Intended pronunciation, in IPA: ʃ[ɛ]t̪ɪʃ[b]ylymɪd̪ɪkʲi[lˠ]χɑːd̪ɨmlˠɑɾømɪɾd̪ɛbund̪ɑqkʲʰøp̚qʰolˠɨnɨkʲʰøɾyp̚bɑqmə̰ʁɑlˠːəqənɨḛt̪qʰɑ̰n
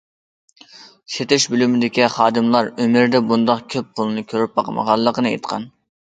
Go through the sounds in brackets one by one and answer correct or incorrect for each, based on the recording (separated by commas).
incorrect, correct, incorrect